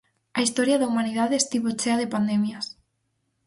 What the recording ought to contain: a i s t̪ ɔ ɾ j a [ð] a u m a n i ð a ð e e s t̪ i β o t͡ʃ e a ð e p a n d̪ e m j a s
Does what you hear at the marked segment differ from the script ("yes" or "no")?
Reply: no